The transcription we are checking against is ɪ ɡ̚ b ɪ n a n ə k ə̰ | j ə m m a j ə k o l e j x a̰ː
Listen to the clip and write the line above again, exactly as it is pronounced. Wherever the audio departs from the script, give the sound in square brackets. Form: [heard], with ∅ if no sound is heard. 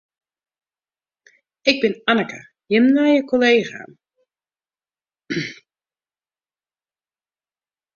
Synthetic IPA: ɪ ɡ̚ b ɪ n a n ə k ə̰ | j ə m [n] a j ə k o l e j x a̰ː